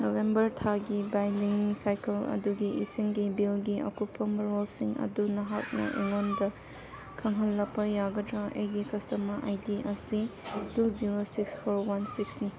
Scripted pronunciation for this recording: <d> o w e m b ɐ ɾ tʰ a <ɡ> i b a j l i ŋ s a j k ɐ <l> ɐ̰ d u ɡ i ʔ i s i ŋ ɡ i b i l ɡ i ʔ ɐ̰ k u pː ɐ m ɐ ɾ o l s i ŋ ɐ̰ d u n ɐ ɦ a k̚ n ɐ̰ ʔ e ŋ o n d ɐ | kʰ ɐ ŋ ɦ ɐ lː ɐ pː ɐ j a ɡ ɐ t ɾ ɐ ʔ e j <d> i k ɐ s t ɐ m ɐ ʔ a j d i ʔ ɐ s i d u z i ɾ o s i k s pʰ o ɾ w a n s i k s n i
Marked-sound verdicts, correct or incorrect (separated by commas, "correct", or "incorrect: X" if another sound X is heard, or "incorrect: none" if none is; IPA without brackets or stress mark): incorrect: n, correct, correct, incorrect: ɡ